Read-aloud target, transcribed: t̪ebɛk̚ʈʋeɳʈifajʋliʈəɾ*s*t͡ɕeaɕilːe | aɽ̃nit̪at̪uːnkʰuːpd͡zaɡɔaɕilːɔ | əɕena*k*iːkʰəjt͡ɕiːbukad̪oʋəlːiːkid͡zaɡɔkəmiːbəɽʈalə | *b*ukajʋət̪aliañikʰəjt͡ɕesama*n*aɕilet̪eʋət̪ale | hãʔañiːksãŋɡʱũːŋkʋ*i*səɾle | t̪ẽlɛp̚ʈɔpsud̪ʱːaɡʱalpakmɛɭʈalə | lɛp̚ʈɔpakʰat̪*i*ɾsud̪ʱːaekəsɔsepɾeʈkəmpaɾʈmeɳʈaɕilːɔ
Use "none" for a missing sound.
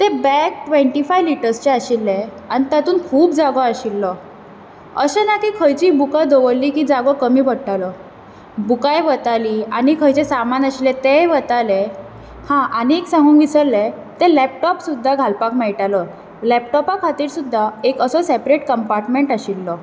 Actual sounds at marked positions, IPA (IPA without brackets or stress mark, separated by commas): s, k, b, n, i, iː